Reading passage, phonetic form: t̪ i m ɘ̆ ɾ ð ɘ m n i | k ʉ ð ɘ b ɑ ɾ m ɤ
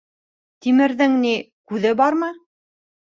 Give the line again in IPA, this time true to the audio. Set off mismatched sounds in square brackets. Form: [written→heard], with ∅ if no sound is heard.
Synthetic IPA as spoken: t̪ i m ɘ̆ ɾ ð ɘ [m→ŋ] n i | k ʉ ð ɘ b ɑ ɾ m ɤ

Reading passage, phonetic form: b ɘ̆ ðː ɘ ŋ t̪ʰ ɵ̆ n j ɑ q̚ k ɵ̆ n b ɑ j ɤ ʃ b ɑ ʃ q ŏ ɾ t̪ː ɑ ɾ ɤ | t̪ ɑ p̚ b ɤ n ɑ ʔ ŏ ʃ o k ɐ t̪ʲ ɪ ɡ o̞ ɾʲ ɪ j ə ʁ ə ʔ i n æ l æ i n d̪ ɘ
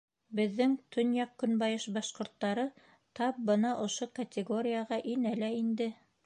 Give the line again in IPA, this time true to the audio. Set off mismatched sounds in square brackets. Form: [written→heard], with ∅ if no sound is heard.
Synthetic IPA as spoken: b ɘ̆ ðː ɘ ŋ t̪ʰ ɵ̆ n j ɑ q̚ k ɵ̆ n b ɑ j ɤ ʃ b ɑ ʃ q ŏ ɾ t̪ː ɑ ɾ ɤ | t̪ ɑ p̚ b ɤ n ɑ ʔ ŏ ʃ o k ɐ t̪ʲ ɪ ɡ o̞ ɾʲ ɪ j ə ʁ [ə→ɑ] ʔ i n æ l æ i n d̪ ɘ

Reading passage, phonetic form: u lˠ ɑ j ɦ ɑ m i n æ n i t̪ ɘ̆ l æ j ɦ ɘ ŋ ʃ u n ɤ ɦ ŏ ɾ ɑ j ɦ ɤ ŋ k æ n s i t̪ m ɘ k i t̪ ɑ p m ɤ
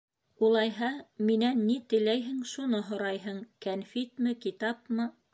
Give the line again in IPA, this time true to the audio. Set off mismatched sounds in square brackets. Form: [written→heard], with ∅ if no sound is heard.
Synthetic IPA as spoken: u lˠ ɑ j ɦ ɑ m i n æ [n→nː] i t̪ ɘ̆ l æ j ɦ ɘ ŋ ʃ u n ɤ ɦ ŏ ɾ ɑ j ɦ ɤ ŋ k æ n [s→f] i t̪ m ɘ k i t̪ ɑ p m ɤ

